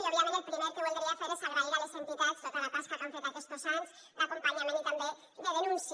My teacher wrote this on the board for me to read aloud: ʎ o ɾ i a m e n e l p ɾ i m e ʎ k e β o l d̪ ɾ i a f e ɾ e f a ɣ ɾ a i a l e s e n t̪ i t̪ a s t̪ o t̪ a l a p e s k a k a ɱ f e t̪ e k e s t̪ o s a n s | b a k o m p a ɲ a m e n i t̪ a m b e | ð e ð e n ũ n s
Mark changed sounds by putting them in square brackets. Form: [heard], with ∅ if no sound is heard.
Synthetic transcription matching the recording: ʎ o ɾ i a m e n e l p ɾ i m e [ɾ] k e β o l d̪ ɾ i a f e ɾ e [s] a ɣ ɾ a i a l e s e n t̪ i t̪ a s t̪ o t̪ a l a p [a] s k a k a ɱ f e t̪ [a] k e s t̪ o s a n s | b a k o m p a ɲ a m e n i t̪ a m b e | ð e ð e n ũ n s